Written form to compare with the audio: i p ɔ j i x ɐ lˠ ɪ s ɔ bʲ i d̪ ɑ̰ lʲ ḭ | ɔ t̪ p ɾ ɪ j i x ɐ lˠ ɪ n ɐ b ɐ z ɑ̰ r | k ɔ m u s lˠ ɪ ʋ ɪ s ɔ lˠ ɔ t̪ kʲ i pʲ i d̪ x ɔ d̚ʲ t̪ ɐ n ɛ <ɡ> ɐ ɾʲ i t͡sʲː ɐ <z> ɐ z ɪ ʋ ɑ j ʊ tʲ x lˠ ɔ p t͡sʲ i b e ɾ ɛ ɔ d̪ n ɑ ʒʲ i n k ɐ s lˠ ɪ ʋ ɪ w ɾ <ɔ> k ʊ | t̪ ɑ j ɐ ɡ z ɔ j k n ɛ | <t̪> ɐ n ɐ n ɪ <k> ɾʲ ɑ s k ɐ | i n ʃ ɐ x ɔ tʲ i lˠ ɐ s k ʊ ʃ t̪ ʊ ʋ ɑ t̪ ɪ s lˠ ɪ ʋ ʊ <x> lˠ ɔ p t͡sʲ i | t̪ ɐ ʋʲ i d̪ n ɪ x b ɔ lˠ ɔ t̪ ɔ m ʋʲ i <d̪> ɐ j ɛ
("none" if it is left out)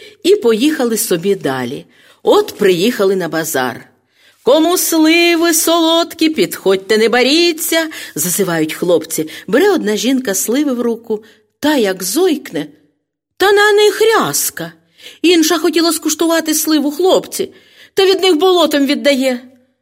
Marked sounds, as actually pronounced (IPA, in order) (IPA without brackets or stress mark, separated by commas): b, z, u, t̪, x, x, d̪ː